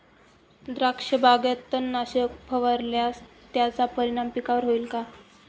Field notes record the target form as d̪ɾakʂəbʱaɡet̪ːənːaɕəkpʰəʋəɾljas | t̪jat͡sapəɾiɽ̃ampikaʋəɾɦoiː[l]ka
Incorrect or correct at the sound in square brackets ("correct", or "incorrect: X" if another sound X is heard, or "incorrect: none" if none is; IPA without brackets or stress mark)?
correct